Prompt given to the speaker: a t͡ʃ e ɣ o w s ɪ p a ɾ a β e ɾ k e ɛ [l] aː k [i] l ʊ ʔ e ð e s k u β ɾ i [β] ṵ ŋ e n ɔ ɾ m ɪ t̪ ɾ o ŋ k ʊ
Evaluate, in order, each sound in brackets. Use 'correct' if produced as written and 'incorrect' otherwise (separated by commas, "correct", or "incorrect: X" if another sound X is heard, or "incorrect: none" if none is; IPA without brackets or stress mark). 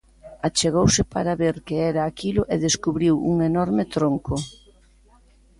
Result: incorrect: ɾ, correct, incorrect: w